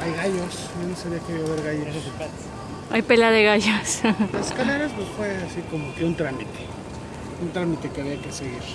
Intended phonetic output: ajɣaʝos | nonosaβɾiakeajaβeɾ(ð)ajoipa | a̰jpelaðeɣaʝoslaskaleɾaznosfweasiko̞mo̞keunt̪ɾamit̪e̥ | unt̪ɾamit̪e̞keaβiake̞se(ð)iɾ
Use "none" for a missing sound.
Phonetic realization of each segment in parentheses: ɣ, ɣ

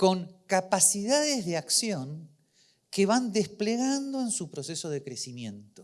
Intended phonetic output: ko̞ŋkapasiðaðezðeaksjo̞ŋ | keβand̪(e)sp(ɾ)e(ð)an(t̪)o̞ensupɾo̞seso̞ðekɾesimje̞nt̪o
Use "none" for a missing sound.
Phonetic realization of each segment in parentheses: e, l, ɣ, d̪

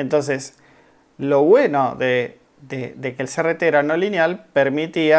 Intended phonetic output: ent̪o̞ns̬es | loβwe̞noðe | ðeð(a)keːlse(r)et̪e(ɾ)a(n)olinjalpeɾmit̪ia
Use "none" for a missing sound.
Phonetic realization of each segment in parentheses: e, r, ɾ, n

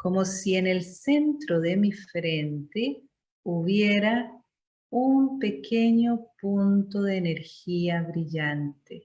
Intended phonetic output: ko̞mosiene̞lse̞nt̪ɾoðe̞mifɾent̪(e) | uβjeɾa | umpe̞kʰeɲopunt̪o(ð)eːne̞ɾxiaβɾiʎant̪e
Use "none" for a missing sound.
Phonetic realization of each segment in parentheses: e, ð

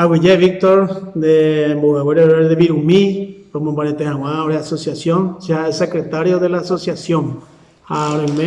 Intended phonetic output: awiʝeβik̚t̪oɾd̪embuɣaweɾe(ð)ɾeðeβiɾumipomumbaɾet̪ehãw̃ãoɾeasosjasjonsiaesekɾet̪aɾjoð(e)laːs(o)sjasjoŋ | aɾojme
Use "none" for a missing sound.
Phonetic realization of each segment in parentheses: none, e, o

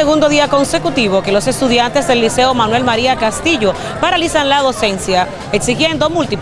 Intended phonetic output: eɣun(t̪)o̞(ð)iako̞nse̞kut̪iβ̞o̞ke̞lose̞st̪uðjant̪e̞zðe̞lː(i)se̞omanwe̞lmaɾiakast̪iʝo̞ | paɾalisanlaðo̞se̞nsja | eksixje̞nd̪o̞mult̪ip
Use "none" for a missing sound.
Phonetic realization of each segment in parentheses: d̪, ð, i

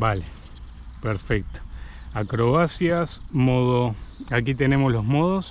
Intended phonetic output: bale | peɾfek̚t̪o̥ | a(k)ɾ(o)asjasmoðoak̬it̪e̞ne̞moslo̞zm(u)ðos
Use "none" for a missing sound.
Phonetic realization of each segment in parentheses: k, o, o

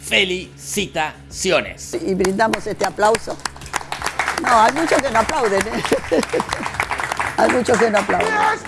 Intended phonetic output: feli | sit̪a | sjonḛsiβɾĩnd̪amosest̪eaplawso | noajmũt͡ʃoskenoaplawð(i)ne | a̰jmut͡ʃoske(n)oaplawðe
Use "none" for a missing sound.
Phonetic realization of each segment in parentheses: e, n

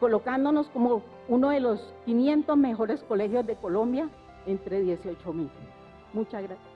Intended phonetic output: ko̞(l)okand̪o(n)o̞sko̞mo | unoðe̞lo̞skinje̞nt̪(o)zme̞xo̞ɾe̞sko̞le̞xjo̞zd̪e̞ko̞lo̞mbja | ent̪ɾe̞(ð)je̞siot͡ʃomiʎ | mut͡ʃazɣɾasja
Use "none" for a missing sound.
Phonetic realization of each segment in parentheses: l, n, o, ð

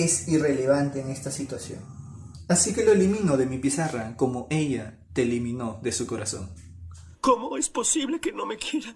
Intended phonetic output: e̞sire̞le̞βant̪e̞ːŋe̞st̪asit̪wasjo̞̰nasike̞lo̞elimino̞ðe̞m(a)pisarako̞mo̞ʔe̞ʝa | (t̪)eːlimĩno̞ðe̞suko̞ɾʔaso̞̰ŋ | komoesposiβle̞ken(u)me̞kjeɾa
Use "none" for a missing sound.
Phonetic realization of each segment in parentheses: i, t̪, o

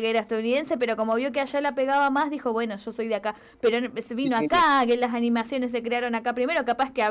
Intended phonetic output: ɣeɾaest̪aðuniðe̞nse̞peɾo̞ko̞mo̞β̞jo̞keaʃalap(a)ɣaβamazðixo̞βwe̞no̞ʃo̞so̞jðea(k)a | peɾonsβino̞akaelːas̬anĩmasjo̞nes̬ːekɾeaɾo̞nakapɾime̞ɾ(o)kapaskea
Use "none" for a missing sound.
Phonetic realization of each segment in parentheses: e, k, o

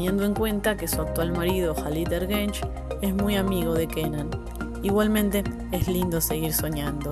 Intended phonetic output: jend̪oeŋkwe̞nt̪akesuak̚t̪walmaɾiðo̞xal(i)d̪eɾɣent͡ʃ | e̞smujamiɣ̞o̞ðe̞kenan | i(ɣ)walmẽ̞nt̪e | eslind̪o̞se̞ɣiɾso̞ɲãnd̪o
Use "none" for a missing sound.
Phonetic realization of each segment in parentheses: i, ɣ

